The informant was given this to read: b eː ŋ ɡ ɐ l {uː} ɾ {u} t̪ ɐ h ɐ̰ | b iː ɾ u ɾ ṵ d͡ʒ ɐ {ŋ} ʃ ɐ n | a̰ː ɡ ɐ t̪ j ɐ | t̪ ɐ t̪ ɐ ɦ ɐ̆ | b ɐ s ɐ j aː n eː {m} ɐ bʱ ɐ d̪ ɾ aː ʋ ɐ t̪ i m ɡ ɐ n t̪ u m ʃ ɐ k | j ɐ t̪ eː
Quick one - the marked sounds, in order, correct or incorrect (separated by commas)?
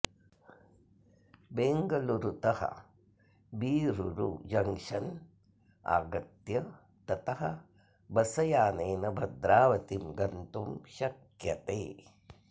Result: incorrect, correct, correct, incorrect